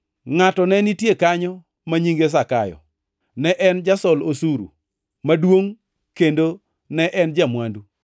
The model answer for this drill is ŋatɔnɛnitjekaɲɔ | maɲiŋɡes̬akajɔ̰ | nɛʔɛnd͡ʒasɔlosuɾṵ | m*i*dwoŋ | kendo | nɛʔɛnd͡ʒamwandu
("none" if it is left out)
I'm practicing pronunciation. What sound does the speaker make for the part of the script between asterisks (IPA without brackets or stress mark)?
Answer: a